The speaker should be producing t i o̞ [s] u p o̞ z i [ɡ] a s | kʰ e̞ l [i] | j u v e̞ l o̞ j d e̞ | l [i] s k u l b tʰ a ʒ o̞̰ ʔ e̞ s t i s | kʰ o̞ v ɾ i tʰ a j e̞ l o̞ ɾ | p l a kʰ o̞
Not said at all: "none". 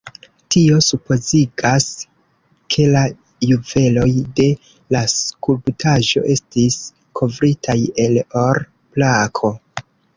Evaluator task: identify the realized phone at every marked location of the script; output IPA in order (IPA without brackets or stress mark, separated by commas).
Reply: s, ɡ, a, a